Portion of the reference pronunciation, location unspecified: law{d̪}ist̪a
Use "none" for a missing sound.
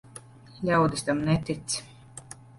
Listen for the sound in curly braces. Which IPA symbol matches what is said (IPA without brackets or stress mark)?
d̪